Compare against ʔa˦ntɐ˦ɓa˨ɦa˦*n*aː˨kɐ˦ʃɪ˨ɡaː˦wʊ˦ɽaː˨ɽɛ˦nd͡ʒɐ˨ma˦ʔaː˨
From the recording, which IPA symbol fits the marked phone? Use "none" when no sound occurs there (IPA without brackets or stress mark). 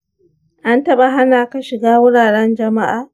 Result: n